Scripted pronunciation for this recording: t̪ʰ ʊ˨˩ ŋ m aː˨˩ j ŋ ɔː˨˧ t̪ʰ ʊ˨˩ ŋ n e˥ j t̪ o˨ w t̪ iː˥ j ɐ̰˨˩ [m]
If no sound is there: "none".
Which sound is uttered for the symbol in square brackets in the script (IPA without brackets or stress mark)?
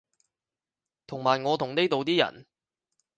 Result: n